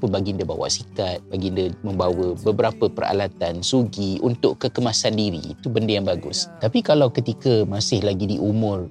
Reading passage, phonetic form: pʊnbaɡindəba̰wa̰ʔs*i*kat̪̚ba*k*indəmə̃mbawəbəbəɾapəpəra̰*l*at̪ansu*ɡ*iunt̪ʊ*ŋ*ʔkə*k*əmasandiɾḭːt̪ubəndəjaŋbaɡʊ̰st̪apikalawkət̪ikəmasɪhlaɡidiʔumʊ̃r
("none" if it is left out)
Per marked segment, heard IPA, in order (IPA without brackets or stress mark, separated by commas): i, ɡ, l, ɡ, none, k